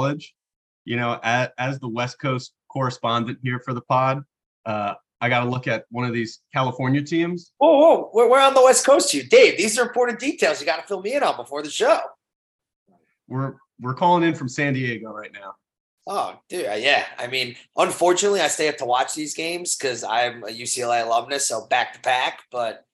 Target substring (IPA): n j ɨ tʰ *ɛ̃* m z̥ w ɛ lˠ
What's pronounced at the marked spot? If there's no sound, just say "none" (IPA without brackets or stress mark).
ĩ